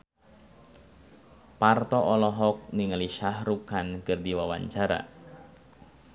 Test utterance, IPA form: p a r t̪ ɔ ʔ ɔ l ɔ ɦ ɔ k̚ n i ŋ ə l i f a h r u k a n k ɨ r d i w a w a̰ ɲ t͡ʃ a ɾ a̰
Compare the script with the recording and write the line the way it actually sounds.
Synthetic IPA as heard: p a r t̪ ɔ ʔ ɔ l ɔ ɦ ɔ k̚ n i ŋ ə l i ʃ a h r u k a n k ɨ r d i w a w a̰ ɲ t͡ʃ a ɾ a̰